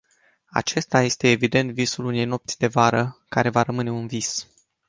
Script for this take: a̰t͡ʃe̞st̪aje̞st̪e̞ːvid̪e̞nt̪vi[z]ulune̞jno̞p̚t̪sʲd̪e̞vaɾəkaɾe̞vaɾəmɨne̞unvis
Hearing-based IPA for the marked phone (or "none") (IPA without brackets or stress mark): s